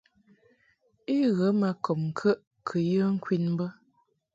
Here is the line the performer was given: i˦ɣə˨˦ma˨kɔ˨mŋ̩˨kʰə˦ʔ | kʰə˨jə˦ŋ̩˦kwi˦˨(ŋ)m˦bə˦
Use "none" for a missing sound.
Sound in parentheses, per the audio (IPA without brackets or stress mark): n